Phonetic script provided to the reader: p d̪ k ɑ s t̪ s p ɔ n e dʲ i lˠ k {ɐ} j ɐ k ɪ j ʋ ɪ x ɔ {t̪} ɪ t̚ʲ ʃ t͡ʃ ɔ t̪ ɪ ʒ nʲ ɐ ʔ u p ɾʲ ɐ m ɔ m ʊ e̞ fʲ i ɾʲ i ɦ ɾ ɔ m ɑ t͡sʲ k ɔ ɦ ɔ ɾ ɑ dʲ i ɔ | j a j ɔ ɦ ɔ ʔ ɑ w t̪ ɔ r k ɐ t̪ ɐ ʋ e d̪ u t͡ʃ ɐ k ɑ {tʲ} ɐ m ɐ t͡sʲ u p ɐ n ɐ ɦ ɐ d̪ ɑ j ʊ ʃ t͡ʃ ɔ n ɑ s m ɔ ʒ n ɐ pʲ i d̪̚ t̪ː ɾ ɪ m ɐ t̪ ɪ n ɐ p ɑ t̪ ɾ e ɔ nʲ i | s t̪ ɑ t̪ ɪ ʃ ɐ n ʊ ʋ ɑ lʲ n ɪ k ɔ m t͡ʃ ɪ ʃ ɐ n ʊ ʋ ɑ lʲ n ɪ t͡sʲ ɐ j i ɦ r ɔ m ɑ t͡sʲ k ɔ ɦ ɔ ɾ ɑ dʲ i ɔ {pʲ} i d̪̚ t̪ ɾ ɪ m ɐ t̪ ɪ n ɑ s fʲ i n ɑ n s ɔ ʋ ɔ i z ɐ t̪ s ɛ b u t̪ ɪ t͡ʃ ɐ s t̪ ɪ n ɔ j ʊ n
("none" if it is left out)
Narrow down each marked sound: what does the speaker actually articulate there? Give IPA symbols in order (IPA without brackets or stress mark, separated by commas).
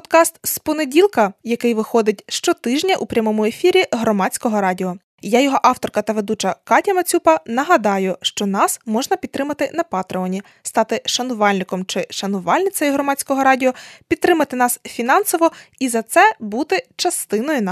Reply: ɐ, d̪, tʲ, pʲ